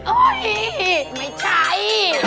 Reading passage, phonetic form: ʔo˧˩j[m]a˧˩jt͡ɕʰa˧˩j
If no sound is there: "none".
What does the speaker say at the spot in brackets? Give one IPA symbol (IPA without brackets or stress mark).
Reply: m